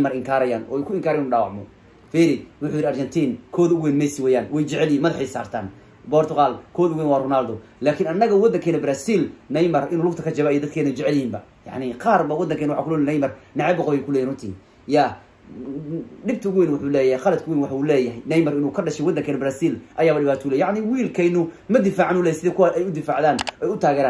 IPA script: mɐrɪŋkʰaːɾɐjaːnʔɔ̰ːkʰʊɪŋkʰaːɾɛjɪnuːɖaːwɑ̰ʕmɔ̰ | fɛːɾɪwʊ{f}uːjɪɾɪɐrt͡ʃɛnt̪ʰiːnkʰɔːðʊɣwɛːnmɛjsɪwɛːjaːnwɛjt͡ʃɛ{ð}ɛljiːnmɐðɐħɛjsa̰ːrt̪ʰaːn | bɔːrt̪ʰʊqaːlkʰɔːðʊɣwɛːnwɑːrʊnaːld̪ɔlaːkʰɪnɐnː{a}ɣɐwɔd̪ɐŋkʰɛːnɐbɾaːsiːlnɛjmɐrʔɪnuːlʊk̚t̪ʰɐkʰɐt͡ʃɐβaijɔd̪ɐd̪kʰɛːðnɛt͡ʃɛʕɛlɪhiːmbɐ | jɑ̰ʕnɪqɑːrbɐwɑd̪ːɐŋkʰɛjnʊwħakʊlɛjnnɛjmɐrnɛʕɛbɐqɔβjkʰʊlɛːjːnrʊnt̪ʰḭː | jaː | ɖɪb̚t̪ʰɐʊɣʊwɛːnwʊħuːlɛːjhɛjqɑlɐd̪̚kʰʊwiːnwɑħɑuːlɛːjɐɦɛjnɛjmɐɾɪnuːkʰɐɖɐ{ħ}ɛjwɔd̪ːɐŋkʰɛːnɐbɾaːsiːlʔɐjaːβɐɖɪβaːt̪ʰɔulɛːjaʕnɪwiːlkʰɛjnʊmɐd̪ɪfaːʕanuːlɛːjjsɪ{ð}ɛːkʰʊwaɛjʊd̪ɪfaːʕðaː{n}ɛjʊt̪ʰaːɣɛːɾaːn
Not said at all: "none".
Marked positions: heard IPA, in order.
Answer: ħ, ʕ, ɐ, ʃ, ð, n

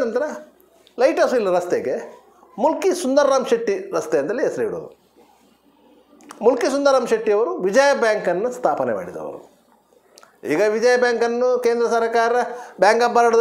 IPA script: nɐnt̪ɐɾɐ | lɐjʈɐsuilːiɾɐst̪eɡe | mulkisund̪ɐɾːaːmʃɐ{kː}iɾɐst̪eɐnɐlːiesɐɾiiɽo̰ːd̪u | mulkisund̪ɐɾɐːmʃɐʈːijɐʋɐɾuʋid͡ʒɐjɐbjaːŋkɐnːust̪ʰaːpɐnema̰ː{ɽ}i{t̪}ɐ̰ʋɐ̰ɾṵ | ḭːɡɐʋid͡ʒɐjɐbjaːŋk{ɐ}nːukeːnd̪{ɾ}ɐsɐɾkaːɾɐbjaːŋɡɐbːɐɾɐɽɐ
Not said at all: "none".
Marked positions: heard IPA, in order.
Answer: ʈː, ɽ, d̪, ɐ, ɾ

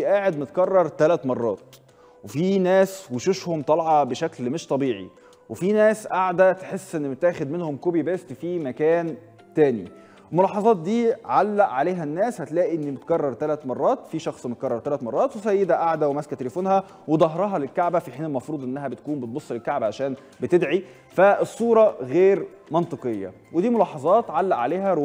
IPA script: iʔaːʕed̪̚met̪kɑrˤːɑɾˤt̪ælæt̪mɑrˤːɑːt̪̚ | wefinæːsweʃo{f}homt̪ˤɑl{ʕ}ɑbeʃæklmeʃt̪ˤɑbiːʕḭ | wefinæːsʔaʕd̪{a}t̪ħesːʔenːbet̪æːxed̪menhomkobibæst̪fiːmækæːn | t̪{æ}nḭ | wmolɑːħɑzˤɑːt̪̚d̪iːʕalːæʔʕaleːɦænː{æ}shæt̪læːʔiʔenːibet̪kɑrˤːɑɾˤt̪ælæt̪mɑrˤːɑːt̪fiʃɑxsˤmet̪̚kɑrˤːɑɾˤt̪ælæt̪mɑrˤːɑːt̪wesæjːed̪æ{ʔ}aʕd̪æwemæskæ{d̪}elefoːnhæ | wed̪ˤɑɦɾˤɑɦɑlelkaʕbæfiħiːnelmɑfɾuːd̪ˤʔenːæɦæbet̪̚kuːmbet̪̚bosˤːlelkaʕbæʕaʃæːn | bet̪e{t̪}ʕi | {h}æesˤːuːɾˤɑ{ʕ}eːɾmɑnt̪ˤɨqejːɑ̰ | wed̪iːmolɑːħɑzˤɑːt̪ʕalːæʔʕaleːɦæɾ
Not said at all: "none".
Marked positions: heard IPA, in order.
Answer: ʃ, ʕ, æ, æː, æː, ʔ, t̪, d̪, f, ɣ

